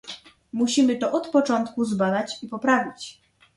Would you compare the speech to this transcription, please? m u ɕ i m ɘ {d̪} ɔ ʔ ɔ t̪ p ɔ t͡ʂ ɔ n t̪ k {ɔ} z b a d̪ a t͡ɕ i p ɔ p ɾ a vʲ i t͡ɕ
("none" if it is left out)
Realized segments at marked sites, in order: t̪, u

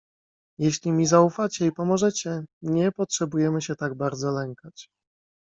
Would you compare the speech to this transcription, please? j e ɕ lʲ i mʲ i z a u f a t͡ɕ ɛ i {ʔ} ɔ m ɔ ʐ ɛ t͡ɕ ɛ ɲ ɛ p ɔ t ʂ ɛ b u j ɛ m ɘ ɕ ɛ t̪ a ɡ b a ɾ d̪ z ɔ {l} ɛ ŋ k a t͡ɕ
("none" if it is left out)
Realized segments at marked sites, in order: p, l

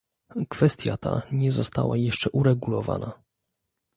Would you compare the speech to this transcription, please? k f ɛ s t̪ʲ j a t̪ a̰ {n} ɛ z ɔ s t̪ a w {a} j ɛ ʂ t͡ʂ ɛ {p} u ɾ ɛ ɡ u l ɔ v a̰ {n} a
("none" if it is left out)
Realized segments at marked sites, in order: ɲ, a, ʔ, n

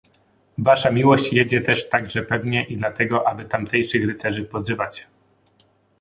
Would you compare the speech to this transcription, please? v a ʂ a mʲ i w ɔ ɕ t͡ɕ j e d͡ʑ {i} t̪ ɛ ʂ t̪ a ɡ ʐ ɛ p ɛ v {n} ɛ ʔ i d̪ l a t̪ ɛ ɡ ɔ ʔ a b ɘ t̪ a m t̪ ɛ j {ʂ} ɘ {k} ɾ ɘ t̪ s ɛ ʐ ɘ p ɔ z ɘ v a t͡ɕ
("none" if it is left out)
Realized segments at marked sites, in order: ɛ, ɲ, ʂ, x

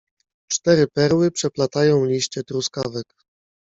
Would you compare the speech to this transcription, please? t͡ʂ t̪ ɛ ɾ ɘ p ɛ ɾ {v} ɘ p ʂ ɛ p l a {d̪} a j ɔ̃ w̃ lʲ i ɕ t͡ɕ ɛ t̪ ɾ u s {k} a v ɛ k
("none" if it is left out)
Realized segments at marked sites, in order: w, t̪, k

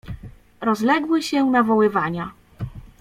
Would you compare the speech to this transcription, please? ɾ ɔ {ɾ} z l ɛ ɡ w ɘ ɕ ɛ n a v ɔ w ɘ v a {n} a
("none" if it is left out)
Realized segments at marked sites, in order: none, ɲ

